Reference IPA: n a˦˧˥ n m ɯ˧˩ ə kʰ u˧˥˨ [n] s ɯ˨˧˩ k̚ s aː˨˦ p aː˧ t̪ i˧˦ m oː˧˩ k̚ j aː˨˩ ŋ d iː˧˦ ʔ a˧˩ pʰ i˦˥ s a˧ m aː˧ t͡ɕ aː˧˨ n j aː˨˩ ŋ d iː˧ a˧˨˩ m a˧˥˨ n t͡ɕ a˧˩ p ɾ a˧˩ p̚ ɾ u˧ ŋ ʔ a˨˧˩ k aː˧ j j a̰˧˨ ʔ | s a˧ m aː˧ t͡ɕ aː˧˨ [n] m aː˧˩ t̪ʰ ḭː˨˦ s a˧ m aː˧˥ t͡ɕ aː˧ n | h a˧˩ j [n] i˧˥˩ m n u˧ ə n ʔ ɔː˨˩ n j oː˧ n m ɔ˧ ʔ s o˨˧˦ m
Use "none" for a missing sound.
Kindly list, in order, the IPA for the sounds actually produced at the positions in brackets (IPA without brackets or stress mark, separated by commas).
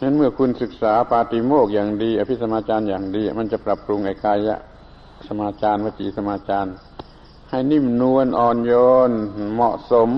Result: n, n, n